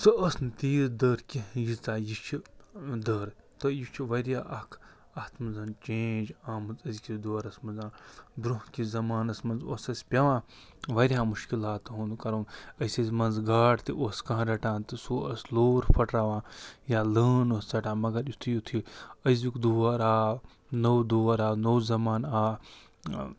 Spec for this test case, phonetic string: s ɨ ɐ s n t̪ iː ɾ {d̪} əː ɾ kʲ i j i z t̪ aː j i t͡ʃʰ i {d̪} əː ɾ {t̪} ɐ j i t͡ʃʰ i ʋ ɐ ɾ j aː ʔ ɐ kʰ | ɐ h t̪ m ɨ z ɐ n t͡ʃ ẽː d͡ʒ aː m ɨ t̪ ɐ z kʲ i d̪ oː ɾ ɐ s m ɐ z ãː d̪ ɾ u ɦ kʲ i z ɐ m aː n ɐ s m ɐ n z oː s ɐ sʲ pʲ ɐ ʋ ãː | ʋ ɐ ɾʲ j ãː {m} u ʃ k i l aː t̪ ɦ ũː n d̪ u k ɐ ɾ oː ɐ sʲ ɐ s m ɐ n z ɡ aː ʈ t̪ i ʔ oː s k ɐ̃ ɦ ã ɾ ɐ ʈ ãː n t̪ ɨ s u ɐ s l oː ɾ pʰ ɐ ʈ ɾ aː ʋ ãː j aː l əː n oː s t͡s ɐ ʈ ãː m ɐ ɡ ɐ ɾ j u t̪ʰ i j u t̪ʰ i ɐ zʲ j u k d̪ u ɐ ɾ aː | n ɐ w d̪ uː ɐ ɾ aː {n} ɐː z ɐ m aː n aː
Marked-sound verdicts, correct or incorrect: correct, correct, correct, correct, correct

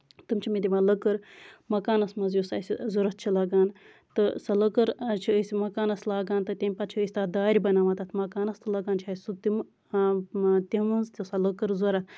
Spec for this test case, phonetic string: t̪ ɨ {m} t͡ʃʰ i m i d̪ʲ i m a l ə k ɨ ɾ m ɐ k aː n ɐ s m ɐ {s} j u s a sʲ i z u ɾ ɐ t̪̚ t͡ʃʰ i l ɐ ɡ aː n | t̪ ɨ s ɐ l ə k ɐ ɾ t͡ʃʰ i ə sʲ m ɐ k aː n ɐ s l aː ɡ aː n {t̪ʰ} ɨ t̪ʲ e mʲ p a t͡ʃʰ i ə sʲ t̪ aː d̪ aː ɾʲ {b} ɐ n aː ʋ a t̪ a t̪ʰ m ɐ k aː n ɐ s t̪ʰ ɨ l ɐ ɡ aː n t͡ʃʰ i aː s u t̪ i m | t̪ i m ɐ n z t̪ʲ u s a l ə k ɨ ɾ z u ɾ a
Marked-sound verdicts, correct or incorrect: correct, incorrect: z, incorrect: t̪, correct

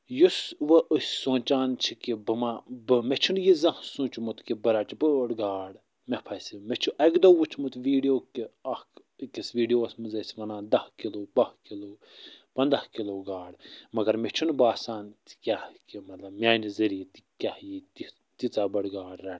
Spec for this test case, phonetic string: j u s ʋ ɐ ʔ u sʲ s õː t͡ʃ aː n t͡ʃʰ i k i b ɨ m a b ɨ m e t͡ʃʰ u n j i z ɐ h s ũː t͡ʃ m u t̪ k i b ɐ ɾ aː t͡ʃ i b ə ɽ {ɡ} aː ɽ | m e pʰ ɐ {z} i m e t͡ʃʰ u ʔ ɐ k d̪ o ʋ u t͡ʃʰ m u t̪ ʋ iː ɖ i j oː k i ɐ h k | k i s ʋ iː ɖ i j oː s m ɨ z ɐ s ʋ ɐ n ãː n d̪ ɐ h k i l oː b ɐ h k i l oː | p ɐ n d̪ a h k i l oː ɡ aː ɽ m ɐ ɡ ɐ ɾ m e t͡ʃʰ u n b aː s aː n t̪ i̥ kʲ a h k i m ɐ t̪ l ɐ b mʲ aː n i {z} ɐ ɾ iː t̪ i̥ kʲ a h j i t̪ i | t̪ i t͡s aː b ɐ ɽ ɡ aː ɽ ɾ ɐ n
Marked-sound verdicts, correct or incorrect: correct, incorrect: s, correct

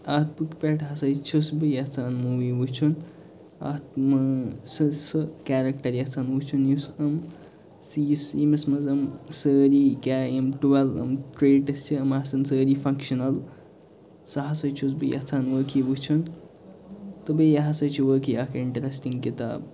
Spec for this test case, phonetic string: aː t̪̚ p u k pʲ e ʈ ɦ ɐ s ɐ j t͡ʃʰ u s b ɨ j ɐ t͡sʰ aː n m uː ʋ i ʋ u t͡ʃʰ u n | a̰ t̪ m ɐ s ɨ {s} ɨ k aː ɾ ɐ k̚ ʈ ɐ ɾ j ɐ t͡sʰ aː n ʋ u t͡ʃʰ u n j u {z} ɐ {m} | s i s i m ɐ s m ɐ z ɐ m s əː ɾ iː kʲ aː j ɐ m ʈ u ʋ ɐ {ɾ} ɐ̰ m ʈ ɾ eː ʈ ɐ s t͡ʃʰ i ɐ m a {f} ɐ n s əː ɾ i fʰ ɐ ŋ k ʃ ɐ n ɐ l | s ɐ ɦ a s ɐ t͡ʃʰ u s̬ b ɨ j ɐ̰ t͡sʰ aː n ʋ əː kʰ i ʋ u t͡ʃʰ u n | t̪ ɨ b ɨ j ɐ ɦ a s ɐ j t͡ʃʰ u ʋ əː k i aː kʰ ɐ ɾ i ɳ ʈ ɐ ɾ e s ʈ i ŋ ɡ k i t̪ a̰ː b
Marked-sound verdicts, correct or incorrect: correct, incorrect: s, correct, incorrect: l, incorrect: s

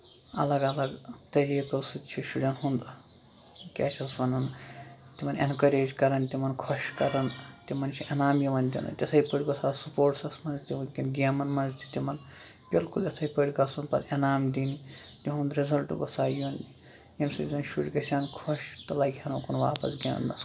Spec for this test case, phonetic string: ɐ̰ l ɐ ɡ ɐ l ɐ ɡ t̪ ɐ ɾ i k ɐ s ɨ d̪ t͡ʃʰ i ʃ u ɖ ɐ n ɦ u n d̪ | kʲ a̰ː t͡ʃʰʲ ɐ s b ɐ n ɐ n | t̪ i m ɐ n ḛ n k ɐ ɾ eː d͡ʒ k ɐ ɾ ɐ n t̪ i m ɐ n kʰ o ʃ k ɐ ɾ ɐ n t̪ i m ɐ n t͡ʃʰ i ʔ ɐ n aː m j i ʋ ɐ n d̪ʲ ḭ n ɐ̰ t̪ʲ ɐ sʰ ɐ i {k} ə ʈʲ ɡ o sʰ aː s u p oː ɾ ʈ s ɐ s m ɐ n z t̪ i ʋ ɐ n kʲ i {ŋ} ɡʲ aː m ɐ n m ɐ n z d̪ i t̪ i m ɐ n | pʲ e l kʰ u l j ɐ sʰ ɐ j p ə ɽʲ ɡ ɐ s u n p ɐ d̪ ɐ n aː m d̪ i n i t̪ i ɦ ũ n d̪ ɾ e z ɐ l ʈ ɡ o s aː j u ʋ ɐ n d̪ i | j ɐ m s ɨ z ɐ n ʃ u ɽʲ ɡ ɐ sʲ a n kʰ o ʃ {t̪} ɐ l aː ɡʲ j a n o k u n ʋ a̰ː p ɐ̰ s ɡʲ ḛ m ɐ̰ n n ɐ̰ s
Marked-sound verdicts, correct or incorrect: incorrect: p, incorrect: n, correct

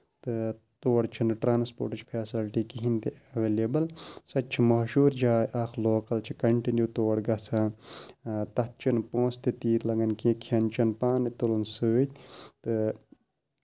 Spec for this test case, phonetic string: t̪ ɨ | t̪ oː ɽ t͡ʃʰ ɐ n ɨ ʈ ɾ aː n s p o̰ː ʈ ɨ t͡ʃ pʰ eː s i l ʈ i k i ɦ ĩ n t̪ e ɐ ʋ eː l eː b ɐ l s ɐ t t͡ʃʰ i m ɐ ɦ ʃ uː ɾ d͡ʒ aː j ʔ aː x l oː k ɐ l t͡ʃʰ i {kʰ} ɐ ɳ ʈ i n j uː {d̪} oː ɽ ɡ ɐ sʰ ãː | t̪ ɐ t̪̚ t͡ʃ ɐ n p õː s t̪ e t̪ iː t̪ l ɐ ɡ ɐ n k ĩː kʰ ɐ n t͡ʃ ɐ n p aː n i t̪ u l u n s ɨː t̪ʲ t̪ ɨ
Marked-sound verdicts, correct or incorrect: incorrect: k, incorrect: t̪

